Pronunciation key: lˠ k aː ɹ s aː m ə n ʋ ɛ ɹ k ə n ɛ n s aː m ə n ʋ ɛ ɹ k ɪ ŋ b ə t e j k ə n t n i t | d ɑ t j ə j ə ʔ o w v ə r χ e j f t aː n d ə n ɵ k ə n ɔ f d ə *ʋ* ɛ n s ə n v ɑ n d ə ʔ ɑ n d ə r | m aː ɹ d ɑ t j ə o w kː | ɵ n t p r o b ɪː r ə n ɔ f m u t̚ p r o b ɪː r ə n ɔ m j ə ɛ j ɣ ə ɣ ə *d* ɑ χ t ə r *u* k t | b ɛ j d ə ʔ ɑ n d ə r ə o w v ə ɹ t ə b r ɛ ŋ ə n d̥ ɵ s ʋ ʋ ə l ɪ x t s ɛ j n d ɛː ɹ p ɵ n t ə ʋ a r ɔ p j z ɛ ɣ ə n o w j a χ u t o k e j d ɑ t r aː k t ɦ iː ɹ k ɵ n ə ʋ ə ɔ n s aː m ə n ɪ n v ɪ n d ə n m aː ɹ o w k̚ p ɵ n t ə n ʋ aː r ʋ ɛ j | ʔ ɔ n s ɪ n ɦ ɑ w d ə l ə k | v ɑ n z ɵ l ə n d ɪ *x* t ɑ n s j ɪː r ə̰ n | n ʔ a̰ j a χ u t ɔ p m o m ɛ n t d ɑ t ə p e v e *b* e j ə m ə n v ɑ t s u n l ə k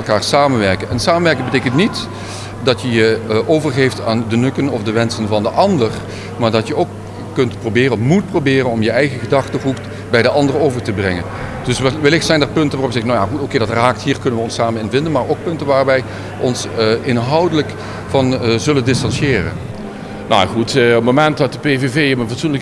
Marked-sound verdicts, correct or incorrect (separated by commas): correct, correct, correct, incorrect, incorrect